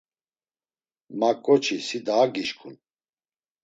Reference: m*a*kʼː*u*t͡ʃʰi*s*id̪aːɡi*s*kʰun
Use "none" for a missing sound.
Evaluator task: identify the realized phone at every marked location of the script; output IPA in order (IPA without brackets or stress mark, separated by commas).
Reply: a, ɔ, s, ʃ